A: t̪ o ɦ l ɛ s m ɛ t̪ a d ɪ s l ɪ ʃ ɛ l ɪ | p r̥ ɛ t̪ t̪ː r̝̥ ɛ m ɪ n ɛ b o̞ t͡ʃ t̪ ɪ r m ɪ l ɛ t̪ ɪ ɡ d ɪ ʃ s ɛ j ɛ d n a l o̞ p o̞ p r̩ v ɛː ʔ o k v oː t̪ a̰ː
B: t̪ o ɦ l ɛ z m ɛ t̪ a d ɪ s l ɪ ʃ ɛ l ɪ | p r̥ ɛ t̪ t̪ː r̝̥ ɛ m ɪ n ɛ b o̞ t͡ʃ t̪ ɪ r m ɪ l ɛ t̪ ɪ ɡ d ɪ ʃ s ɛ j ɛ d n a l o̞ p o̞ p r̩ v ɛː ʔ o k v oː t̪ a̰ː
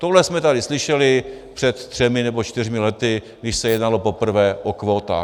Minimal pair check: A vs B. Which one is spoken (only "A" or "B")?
A